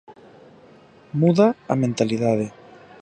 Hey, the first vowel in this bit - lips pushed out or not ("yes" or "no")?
yes